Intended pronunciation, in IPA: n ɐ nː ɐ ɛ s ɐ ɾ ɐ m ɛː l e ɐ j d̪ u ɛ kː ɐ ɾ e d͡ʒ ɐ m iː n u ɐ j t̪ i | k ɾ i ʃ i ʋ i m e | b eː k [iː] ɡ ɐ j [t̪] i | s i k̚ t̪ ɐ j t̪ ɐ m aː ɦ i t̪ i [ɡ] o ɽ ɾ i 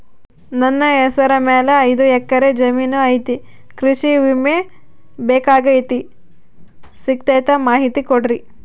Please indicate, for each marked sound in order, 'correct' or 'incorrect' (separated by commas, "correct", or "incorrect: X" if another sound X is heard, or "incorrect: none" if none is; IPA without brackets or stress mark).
incorrect: aː, correct, incorrect: k